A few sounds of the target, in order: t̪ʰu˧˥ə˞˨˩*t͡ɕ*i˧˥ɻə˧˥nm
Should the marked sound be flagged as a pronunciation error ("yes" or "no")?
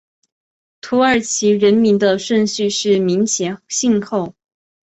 yes